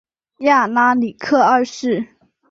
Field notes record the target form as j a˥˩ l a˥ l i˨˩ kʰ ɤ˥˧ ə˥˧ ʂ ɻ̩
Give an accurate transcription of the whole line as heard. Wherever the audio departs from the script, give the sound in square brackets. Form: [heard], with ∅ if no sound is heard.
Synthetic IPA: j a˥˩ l a˥ l i˨˩ kʰ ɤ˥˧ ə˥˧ ʂ ɻ̩